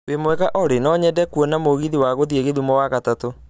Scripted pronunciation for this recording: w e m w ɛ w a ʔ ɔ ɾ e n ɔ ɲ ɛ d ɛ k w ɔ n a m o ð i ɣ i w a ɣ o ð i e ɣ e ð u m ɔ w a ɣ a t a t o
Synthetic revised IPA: w e m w ɛ ɣ a ʔ ɔ ɾ e n ɔ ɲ ɛ d ɛ k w ɔ n a m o ɣ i ð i w a ɣ o ð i e ɣ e ð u m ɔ w a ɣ a t a t o